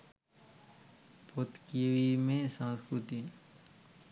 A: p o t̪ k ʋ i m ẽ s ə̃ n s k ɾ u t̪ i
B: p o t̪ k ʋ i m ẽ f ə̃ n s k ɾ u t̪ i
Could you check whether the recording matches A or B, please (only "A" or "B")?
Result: A